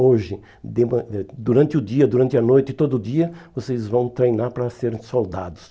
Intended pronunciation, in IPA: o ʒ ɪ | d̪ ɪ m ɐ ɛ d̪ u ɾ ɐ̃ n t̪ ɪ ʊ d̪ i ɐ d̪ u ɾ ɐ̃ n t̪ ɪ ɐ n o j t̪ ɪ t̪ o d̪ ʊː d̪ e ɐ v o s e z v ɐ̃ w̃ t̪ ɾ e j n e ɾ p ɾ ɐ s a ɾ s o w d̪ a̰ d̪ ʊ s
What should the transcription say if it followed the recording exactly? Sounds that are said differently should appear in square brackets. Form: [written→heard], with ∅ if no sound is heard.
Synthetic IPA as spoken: o ʒ ɪ | d̪ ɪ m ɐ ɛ d̪ u ɾ ɐ̃ n t̪ ɪ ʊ d̪ i ɐ d̪ u ɾ ɐ̃ n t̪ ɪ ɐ n o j t̪ ɪ t̪ o d̪ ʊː d̪ [e→i] ɐ v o s e z v ɐ̃ w̃ t̪ ɾ e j n [e→a] ɾ p ɾ ɐ s [a→e] ɾ s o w d̪ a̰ d̪ ʊ s